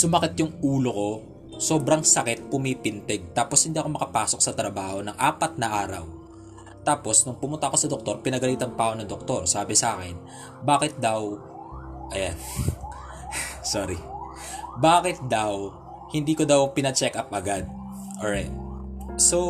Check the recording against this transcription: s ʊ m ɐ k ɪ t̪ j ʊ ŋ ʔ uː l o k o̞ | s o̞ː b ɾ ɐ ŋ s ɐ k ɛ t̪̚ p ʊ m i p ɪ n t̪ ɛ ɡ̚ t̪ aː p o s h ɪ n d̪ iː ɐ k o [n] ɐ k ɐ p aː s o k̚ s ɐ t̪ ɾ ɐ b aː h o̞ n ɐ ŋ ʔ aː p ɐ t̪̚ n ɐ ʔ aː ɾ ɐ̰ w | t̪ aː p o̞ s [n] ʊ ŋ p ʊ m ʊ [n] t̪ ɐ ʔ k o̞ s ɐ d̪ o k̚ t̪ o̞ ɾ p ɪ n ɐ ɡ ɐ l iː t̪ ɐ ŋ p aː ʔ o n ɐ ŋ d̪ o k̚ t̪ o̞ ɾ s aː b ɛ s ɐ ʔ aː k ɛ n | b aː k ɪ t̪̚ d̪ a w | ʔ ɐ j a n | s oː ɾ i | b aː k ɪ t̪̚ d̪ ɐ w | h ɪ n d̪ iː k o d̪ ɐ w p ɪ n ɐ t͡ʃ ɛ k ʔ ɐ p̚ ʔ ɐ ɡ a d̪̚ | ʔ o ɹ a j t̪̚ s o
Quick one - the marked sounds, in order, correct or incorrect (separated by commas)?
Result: incorrect, correct, correct